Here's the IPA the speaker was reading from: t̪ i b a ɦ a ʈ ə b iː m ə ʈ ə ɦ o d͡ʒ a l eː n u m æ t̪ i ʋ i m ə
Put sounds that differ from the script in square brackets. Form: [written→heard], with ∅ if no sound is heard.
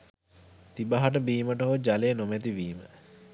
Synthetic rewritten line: t̪ i b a ɦ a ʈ ə b iː m ə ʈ ə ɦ o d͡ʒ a l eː n [u→o] m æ t̪ i ʋ [i→iː] m ə